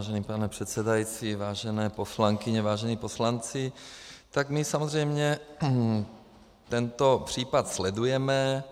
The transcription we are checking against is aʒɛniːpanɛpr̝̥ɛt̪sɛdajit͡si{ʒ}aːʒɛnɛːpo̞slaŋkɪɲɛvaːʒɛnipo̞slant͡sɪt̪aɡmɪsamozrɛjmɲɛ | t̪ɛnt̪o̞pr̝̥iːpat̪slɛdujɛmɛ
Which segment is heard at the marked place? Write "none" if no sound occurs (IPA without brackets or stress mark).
v